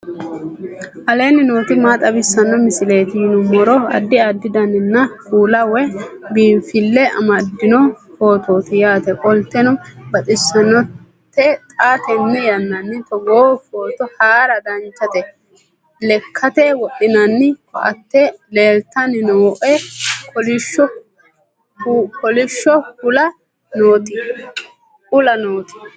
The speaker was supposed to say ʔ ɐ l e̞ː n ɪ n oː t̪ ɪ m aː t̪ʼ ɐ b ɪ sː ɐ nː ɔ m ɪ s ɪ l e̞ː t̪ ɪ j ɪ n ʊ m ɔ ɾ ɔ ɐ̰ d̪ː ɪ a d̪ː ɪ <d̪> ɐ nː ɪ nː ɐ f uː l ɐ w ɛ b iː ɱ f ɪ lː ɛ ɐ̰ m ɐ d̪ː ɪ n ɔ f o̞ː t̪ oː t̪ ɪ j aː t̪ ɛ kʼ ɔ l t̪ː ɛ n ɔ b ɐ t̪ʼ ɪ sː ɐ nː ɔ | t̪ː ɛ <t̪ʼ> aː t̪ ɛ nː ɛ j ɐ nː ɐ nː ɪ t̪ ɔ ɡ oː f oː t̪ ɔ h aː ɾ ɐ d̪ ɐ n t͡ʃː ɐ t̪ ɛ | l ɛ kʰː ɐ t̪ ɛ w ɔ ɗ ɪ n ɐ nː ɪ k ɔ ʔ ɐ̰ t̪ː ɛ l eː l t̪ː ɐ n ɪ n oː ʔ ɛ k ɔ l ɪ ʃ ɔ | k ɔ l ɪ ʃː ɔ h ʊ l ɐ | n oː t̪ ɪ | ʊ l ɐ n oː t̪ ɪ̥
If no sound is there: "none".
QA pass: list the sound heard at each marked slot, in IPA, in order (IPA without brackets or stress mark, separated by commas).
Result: d̪, t̪ʼ